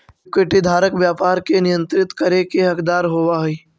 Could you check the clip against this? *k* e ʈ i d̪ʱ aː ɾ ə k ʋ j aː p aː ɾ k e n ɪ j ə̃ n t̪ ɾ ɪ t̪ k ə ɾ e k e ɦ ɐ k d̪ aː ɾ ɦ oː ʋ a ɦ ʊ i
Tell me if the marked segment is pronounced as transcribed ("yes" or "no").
yes